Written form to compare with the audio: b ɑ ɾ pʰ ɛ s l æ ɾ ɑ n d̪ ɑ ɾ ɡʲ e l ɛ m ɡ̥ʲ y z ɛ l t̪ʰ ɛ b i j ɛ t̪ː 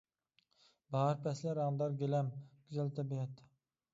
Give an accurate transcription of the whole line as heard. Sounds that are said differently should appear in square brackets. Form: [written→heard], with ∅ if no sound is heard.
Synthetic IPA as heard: b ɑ ɾ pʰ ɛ s l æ ɾ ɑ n d̪ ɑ ɾ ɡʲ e l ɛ m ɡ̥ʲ y z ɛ l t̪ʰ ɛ b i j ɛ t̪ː